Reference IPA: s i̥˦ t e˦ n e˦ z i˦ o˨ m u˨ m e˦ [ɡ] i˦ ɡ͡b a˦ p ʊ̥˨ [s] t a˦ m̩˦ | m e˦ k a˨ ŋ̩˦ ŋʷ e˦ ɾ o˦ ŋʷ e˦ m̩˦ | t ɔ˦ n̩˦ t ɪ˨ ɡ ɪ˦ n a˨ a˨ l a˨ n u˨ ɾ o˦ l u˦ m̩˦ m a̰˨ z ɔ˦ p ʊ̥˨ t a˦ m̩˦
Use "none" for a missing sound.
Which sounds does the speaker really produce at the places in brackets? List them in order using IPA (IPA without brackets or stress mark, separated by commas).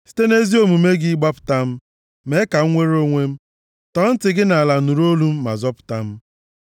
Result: ɡ, none